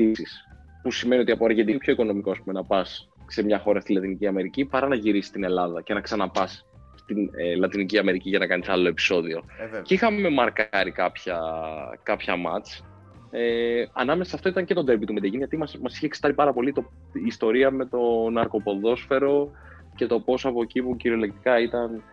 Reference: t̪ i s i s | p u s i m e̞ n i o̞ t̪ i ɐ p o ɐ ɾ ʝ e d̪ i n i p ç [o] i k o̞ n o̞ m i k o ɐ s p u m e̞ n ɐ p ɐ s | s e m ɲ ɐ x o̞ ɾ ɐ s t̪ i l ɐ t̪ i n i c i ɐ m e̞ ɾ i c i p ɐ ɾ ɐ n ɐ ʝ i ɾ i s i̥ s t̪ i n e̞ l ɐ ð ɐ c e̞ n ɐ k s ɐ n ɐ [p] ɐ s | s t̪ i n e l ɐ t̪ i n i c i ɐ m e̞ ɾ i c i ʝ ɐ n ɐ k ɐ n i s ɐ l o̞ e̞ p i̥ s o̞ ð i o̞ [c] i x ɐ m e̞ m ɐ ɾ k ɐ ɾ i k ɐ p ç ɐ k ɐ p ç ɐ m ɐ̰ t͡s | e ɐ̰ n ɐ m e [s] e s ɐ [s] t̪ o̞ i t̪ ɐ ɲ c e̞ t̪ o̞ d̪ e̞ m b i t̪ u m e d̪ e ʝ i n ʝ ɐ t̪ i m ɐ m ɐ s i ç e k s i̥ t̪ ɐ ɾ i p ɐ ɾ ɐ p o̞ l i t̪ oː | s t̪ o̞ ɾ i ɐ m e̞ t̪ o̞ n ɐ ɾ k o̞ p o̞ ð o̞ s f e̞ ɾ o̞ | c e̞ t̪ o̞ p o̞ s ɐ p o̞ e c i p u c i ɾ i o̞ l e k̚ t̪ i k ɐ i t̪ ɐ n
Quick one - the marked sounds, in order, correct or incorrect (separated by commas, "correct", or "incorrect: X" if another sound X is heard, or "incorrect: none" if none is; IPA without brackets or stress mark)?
correct, correct, correct, correct, incorrect: f